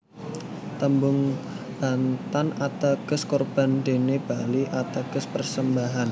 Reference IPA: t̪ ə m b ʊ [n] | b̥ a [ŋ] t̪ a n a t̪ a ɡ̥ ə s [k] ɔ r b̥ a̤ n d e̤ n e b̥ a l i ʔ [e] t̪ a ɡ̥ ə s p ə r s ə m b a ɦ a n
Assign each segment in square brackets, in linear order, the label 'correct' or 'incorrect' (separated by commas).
incorrect, incorrect, correct, incorrect